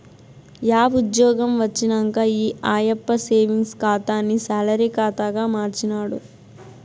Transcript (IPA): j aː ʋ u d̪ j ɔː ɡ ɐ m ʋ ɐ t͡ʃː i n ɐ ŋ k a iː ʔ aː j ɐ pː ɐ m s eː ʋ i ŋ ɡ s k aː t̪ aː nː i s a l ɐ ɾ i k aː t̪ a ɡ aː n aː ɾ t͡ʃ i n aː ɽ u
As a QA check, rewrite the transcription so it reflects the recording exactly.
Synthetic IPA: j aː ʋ u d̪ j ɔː ɡ ɐ m ʋ ɐ t͡ʃː i n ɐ ŋ k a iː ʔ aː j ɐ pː ɐ s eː ʋ i ŋ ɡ s k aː t̪ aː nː i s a l ɐ ɾ i k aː t̪ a ɡ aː m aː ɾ t͡ʃ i n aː ɽ u